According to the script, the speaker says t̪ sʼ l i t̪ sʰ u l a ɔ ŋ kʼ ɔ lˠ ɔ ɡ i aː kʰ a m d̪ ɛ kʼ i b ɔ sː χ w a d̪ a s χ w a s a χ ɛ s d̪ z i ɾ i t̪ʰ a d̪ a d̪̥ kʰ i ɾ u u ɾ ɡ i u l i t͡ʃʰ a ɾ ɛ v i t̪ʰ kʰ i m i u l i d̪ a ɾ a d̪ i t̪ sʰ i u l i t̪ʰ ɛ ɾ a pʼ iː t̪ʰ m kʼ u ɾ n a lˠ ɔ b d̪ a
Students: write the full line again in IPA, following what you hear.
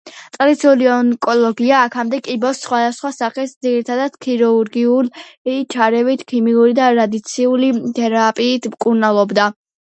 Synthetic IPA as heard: t̪ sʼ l i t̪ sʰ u l i ɔ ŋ kʼ ɔ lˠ ɔ ɡ i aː kʰ a m d̪ ɛ kʼ i b ɔ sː χ w a d̪ a s χ w a s a χ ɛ s d̪ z i ɾ i t̪ʰ a d̪ a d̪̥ kʰ i ɾ u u ɾ ɡ i u l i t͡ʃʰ a ɾ ɛ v i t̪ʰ kʰ i m i u ɾ i d̪ a ɾ a d̪ i t̪ sʰ i u l i t̪ʰ ɛ ɾ a pʼ iː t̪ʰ m kʼ u ɾ n a lˠ ɔ b d̪ a